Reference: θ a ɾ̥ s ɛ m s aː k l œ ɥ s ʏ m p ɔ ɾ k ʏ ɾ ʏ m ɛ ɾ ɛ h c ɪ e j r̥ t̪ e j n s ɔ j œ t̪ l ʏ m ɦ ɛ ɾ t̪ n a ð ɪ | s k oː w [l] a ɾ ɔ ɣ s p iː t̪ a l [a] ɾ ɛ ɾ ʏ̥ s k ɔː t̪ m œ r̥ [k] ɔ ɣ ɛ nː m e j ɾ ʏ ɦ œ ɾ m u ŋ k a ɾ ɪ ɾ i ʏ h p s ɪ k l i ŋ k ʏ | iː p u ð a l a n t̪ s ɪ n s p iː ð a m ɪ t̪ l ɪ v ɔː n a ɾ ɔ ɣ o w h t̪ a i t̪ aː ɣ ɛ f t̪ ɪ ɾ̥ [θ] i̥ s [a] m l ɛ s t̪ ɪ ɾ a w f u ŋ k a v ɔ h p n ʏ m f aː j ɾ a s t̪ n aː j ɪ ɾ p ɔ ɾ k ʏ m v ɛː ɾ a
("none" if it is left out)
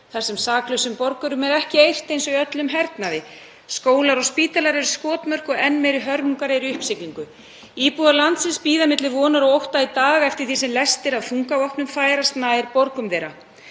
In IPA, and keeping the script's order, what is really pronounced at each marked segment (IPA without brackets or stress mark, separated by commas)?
l, a, k, θ, ɛ